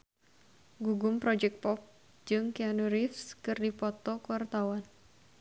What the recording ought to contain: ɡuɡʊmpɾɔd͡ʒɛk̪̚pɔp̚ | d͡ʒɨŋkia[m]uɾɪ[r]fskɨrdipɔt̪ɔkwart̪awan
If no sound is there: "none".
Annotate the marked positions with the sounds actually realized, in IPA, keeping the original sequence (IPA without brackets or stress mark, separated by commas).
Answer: n, none